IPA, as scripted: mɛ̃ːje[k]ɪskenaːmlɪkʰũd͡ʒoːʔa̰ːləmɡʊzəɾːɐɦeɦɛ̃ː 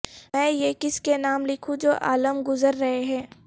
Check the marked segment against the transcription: correct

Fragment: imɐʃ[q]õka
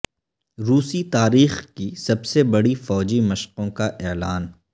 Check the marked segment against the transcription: correct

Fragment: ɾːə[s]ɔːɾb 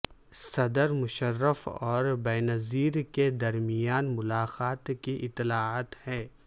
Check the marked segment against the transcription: incorrect: f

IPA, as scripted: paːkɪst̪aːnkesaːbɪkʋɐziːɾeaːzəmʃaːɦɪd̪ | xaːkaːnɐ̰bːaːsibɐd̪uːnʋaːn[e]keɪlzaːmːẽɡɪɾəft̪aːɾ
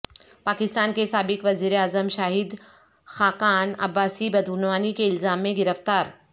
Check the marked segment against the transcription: incorrect: i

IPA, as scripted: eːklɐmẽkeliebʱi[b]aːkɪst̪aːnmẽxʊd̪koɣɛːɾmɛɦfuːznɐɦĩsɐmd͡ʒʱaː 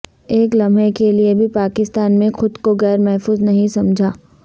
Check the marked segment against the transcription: incorrect: p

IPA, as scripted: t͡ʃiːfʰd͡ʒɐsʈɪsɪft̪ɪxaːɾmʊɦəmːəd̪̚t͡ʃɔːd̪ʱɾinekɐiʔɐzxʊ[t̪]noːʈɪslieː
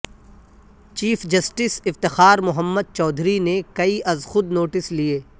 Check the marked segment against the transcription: incorrect: d̪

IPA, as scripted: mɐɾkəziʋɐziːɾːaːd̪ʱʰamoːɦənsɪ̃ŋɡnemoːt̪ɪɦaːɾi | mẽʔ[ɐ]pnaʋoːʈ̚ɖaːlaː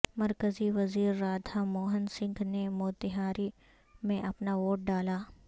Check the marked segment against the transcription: correct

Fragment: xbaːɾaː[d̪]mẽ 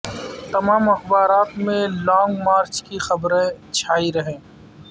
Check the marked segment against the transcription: incorrect: t̪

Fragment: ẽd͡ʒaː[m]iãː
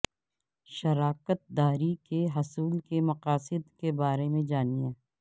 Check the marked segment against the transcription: incorrect: n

